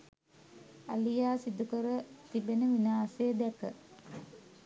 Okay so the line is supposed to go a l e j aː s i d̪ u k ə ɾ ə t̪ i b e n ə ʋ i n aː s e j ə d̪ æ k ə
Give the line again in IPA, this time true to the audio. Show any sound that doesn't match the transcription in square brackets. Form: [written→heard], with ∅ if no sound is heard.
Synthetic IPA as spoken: a l [e→i] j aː s i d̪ u k ə ɾ ə t̪ i b e n ə ʋ i n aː s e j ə d̪ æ k ə